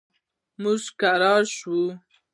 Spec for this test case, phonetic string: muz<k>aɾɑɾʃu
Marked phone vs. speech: correct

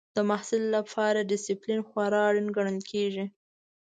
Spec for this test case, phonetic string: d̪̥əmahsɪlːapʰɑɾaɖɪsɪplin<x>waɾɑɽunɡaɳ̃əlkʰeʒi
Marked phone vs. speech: correct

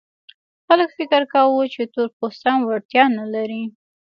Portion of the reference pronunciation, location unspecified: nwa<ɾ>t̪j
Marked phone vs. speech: incorrect: ɽ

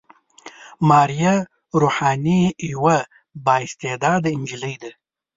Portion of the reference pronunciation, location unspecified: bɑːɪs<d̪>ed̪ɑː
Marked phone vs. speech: incorrect: t̪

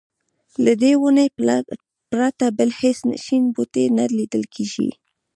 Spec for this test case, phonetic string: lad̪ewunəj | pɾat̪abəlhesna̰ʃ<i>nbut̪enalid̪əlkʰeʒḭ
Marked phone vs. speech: correct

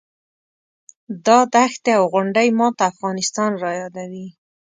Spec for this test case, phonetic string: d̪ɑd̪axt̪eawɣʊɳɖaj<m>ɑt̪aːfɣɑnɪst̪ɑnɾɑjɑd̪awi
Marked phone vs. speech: correct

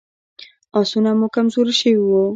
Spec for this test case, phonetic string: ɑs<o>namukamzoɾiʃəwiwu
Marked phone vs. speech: incorrect: u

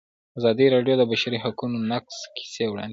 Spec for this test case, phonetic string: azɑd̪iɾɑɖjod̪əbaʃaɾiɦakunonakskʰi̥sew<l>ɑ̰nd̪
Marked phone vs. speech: incorrect: ɽ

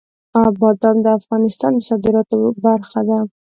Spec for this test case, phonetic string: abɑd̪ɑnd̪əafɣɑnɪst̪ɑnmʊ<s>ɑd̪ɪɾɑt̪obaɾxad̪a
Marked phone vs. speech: correct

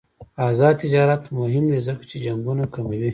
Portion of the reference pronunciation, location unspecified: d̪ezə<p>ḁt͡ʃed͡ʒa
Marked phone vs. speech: incorrect: k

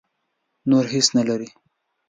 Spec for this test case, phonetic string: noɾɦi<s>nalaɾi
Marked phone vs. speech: correct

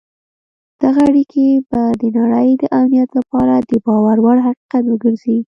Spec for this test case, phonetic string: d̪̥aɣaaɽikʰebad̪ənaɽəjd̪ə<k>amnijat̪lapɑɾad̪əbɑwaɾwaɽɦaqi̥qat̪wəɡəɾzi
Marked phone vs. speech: incorrect: ʔ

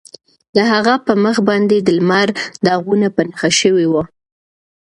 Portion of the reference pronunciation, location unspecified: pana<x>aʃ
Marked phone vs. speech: correct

